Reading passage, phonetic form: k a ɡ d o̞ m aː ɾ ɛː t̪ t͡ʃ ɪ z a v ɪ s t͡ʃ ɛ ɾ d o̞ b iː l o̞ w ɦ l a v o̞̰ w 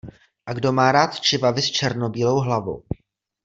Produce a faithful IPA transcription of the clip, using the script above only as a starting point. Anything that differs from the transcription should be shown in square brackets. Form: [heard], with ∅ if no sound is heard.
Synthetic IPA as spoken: [ʔ] a ɡ d o̞ m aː ɾ [aː] t̪ t͡ʃ ɪ [v] a v ɪ s t͡ʃ ɛ ɾ [n] o̞ b iː l o̞ w ɦ l a v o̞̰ w